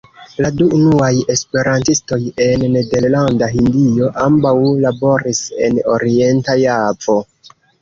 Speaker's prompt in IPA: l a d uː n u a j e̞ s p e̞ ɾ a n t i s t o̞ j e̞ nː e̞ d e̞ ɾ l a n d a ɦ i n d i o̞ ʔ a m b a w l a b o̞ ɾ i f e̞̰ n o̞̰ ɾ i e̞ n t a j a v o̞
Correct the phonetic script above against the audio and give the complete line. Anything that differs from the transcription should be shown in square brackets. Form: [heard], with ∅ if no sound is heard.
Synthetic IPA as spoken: l a d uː n u a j e̞ s p e̞ ɾ a n t i s t o̞ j e̞ nː e̞ d e̞ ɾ l a n d a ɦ i n d i o̞ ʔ a m b a w l a b o̞ ɾ i [s] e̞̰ n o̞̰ ɾ i e̞ n t a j a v o̞